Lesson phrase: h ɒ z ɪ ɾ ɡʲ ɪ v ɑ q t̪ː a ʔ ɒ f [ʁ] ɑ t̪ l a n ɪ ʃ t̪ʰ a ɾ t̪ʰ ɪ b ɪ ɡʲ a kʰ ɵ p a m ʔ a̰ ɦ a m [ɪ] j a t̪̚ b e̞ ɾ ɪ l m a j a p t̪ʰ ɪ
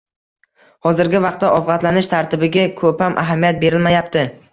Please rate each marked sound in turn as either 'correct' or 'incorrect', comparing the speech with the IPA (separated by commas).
correct, incorrect